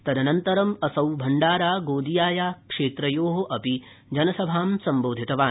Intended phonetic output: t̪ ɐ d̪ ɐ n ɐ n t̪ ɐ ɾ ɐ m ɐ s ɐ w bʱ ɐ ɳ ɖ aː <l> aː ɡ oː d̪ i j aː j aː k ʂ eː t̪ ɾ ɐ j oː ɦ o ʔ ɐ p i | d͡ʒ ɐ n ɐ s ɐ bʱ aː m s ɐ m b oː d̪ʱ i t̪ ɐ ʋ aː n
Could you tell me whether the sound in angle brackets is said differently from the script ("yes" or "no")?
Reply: yes